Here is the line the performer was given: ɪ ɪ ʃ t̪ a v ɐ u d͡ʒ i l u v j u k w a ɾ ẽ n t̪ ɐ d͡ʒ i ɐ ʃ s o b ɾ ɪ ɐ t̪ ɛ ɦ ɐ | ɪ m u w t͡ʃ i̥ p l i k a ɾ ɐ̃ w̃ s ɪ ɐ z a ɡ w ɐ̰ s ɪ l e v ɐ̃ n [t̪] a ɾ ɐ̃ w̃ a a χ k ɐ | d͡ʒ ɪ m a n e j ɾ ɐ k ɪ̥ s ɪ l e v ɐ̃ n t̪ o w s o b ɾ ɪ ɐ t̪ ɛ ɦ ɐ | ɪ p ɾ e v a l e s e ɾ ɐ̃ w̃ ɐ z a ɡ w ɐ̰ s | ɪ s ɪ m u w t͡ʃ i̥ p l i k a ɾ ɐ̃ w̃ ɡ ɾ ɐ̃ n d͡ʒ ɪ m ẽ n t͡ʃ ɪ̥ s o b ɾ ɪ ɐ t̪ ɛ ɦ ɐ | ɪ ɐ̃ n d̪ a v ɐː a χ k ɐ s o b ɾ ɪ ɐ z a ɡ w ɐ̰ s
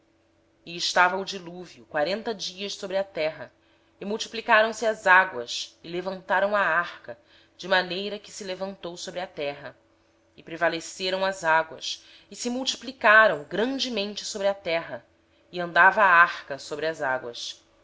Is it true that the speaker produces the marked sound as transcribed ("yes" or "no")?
yes